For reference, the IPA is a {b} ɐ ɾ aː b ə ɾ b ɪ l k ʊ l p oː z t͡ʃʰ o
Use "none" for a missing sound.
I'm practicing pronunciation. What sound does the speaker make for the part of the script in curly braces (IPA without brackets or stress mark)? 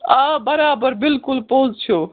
b